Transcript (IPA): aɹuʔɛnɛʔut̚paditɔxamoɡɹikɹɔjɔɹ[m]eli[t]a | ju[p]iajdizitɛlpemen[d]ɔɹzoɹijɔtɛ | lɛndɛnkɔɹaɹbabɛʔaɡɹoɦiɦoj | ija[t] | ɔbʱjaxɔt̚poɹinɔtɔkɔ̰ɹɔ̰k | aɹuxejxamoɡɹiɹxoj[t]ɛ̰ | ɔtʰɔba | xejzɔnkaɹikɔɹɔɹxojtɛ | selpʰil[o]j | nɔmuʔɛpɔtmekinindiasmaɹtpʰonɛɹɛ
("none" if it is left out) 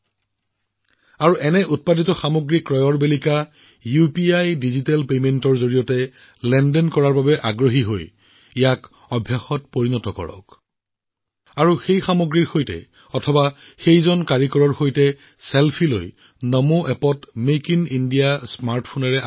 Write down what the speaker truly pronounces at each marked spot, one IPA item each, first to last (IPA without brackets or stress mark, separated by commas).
b, k, p, t, k, t, o